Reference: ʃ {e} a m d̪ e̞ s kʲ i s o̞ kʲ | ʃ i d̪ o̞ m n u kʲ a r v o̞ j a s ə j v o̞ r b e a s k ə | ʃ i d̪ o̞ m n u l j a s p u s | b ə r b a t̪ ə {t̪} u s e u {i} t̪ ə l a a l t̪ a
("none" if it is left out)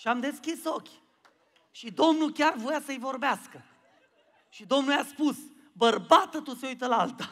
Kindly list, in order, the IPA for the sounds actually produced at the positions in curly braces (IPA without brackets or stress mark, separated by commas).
i, t̪, j